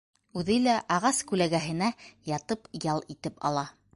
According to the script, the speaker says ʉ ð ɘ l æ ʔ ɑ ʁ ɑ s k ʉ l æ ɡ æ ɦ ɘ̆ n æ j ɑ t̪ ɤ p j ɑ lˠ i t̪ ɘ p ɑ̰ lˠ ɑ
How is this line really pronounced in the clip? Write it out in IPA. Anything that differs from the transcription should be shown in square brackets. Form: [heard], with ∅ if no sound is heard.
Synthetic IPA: ʉ ð ɘ l æ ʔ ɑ ʁ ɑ s k ʉ l æ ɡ æ ɦ ɘ̆ n æ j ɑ t̪ ɤ p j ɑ lˠ i t̪ ɘ p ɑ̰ lˠ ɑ